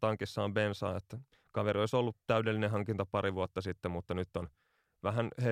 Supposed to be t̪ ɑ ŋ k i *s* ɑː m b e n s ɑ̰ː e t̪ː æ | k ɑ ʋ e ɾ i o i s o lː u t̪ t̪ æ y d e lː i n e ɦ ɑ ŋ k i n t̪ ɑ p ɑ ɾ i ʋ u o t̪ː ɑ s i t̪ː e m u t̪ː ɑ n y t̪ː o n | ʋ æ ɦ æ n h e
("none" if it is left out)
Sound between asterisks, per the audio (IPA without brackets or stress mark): sː